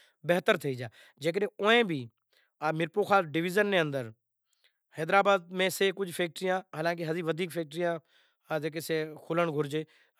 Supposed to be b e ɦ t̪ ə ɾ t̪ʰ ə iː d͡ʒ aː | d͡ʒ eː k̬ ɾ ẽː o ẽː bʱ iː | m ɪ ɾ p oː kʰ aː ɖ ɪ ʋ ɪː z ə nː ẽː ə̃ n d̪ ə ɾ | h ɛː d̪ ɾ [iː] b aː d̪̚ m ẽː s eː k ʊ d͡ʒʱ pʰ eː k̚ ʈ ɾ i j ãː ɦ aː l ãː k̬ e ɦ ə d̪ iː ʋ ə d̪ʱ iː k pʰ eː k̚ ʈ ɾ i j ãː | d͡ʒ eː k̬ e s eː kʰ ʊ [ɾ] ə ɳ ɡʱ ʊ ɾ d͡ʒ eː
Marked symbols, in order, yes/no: no, no

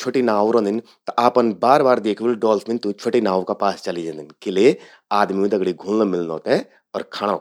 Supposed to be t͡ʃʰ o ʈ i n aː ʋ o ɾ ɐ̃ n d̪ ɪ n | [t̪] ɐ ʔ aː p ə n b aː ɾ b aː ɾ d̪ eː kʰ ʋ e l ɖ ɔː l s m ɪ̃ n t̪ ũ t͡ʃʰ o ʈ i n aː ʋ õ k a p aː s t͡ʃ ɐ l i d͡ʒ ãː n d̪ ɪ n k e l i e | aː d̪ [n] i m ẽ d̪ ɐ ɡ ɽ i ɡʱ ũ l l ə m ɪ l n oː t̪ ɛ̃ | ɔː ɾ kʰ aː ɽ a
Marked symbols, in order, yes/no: yes, no

